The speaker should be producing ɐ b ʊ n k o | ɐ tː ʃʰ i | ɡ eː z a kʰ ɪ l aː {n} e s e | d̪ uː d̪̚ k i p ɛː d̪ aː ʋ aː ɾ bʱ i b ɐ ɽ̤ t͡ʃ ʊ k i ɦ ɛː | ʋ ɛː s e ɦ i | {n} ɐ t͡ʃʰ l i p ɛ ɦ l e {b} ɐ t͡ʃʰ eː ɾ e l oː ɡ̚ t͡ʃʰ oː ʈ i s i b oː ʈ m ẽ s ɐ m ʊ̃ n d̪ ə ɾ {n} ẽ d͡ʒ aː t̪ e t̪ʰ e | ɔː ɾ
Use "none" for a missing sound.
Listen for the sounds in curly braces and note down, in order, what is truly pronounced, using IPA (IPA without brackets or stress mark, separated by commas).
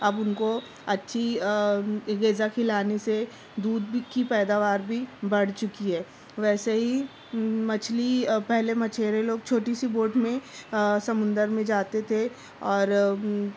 n, m, m, m